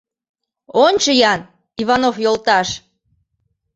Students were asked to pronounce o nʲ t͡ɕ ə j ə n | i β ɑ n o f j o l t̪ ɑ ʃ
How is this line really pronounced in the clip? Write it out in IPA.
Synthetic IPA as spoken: o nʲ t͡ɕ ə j ɑ n | i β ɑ n o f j o l t̪ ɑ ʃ